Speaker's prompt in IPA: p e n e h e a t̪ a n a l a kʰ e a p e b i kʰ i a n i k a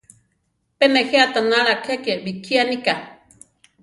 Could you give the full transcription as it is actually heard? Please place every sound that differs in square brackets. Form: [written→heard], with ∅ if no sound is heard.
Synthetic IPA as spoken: p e n e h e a t̪ a n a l a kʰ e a [p→k] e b i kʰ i a n i k a

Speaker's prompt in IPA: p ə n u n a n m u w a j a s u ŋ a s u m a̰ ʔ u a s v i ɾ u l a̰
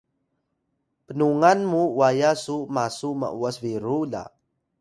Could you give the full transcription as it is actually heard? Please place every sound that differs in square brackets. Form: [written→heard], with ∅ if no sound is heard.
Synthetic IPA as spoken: p ə n u [n→ŋ] a n m u w a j a s u [ŋ→m] a s u m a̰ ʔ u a s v i ɾ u l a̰

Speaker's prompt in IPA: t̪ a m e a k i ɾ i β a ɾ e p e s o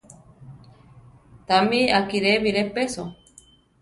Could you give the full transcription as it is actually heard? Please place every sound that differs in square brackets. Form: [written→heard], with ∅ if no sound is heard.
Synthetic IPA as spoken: t̪ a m [e→i] a k i ɾ [i→e] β [a→i] ɾ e p e s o

